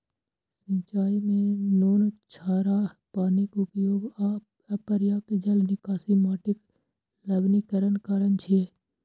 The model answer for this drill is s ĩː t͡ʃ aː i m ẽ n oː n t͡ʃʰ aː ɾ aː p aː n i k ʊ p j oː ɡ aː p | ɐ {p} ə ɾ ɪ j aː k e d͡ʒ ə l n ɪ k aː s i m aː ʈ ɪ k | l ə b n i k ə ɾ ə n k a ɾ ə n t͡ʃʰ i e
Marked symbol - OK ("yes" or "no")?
yes